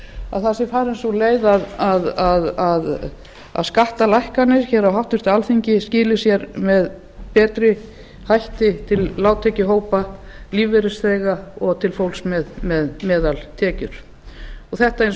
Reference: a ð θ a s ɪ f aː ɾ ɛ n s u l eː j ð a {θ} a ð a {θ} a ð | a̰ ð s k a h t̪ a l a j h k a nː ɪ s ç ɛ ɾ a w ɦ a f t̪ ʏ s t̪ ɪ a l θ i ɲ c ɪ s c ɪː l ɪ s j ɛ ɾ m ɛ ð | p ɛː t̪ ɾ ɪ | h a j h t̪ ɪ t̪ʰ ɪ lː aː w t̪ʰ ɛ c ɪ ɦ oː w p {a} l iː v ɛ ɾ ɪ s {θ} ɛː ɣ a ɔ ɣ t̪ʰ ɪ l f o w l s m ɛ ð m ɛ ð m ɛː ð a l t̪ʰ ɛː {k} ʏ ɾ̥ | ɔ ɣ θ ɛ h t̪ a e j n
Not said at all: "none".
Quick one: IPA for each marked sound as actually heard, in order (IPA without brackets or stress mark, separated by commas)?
ð, ð, a, θ, c